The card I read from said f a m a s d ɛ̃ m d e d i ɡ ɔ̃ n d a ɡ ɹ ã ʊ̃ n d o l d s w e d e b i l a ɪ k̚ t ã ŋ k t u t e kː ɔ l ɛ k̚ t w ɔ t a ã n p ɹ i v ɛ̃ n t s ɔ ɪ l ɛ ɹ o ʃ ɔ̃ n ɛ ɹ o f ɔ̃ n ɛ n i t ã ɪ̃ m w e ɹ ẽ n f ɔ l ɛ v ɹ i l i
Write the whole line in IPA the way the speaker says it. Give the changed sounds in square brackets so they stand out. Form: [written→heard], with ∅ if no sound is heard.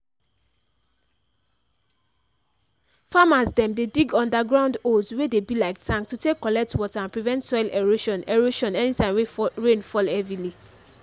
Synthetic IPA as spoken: f a m a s d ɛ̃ m d e d i ɡ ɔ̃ n d a ɡ ɹ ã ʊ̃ n d o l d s w e d e b i l a ɪ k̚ t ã ŋ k t u t e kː ɔ l ɛ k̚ t w ɔ t a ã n p ɹ i v ɛ̃ n t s ɔ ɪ l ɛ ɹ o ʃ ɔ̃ n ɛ ɹ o [f→ʃ] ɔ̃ n ɛ n i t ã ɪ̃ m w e ɹ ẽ n f ɔ l ɛ v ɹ i l i